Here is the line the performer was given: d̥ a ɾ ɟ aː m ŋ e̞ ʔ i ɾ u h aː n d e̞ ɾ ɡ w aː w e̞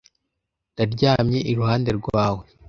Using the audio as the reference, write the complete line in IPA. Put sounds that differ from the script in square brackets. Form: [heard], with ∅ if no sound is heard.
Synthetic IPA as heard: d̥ a ɾ ɟ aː m [ɲ] e̞ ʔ i ɾ u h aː n d e̞ ɾ ɡ w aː w e̞